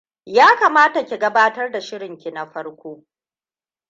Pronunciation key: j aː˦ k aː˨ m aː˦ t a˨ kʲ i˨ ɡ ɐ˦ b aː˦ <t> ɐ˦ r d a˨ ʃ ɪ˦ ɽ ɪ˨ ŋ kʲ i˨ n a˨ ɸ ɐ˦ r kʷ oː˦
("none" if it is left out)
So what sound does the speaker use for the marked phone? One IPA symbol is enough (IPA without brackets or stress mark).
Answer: t